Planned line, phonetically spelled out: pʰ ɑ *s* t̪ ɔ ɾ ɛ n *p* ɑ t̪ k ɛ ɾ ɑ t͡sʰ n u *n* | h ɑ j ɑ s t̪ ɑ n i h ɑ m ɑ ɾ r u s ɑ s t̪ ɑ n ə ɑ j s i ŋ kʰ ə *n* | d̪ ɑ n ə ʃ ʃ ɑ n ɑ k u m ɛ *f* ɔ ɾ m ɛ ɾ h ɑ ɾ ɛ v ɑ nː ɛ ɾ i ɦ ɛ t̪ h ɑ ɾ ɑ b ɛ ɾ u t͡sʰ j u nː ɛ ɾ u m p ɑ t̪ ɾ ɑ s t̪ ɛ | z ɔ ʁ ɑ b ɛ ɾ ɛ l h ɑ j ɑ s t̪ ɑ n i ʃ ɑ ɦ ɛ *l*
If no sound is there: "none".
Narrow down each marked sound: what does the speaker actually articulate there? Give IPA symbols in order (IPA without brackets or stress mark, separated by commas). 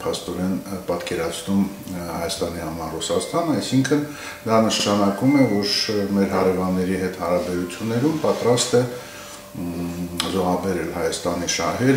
s, p, m, n, v, ɾ